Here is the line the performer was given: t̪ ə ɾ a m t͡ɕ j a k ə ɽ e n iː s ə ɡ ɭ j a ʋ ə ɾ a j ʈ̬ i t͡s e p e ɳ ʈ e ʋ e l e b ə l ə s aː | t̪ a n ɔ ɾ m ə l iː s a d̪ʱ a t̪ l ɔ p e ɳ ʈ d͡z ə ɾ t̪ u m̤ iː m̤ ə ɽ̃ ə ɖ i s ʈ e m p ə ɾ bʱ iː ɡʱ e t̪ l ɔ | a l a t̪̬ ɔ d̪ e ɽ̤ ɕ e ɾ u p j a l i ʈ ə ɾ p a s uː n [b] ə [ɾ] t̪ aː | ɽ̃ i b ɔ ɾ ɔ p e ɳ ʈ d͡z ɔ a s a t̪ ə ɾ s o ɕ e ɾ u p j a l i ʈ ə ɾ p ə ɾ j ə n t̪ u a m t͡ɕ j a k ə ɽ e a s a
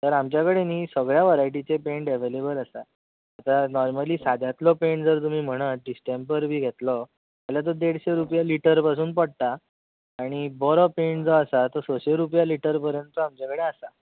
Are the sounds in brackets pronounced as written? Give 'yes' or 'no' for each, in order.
no, no

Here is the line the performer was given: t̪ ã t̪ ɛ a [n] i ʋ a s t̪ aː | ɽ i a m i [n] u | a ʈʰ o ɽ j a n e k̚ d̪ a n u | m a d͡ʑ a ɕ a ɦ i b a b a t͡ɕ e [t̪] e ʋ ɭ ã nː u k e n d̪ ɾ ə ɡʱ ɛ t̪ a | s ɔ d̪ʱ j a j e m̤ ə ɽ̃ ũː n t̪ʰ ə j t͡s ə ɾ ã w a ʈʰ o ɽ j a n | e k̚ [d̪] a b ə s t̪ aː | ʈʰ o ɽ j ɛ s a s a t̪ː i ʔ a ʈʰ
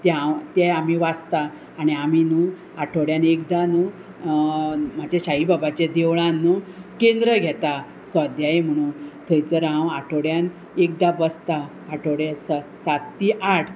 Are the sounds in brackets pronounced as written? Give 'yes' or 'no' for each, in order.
no, yes, no, yes

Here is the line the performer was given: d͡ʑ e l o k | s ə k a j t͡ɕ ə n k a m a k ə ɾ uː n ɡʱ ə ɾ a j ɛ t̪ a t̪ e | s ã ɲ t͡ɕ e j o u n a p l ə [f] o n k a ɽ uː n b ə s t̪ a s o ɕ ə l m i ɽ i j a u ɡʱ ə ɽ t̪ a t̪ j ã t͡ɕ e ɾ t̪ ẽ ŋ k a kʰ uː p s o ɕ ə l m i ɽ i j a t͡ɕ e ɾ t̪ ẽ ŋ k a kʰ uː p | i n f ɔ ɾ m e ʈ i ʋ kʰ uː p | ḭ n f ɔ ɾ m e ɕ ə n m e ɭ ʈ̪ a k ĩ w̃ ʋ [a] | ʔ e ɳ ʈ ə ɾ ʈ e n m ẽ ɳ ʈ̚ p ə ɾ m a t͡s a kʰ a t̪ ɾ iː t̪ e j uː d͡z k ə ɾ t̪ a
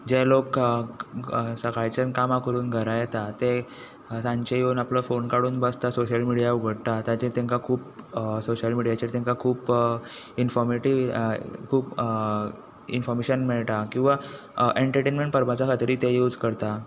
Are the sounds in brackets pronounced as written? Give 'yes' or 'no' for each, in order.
yes, yes

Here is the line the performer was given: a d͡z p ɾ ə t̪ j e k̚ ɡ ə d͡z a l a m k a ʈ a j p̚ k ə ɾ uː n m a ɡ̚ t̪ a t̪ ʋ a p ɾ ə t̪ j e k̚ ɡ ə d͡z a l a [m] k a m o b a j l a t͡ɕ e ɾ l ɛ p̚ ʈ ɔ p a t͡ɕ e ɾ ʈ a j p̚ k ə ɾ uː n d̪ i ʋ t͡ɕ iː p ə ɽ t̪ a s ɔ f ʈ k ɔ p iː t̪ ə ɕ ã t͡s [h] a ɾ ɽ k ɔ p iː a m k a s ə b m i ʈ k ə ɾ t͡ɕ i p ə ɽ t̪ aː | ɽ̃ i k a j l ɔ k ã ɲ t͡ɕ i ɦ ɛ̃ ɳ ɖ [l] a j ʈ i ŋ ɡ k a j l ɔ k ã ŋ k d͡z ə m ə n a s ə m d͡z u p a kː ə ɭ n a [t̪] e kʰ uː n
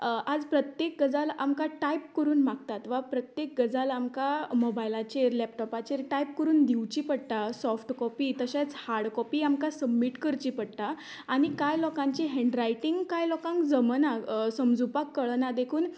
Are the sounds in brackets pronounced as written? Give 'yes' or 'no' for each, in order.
yes, yes, no, no

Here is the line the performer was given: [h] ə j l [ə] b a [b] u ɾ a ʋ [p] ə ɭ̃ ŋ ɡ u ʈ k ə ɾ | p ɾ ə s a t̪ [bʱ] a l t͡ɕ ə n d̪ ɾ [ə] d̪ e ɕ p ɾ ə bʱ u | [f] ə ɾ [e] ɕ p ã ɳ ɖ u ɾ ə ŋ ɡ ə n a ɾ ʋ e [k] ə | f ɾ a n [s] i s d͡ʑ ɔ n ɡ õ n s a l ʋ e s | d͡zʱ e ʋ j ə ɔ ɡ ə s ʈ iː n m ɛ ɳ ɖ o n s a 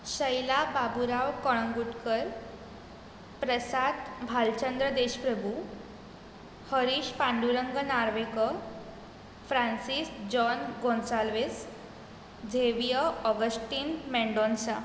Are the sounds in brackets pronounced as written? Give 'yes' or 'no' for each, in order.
no, no, yes, no, yes, yes, no, no, yes, yes

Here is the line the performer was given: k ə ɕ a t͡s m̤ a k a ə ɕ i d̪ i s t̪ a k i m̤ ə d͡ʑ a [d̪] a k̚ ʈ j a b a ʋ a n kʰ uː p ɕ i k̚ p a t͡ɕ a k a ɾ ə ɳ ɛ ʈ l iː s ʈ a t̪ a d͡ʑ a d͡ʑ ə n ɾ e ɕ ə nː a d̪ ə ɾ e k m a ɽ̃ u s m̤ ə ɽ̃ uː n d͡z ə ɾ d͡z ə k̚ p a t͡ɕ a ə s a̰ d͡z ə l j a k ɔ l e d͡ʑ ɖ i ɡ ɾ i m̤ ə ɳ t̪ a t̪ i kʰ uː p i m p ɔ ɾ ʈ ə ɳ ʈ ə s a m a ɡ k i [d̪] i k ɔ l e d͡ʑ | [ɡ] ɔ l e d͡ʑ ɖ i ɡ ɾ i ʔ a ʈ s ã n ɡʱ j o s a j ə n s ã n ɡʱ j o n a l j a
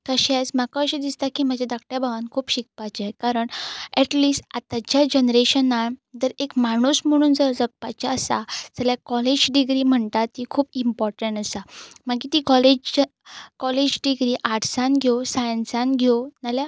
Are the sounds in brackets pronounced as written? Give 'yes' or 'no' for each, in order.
yes, no, no

